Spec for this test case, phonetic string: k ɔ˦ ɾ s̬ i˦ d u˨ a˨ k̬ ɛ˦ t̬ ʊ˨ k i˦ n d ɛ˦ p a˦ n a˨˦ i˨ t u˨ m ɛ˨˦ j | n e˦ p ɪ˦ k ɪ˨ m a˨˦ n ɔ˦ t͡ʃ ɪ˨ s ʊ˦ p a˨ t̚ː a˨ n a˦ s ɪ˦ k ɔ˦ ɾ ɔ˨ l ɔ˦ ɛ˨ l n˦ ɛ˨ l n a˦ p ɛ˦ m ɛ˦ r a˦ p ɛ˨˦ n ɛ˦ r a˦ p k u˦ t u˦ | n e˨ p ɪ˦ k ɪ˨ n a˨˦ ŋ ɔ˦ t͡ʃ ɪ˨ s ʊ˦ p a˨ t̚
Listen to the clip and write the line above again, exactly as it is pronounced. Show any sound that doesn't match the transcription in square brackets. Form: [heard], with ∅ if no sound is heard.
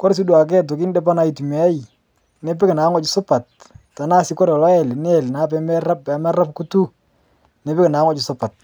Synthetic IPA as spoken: k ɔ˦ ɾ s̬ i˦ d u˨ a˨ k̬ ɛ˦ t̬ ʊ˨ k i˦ n d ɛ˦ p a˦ n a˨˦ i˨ t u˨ m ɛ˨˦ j | n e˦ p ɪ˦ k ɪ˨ [n] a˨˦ [ŋ] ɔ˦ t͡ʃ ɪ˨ s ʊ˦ p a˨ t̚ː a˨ n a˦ s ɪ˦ k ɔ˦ ɾ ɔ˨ l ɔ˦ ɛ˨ l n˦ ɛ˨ l n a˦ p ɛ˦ m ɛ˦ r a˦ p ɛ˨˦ [m] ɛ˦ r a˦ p k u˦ t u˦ | n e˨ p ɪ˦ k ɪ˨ n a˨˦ ŋ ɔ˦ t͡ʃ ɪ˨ s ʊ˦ p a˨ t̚